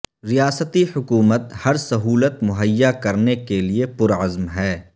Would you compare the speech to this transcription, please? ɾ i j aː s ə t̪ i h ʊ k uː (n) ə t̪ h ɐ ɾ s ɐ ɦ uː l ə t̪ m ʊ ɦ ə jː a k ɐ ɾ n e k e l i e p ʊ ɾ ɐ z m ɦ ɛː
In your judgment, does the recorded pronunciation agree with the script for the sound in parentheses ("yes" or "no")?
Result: no